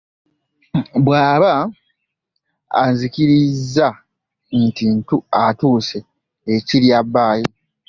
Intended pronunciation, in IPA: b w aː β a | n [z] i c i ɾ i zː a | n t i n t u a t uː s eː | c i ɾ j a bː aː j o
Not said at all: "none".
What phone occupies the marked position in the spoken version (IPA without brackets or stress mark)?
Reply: z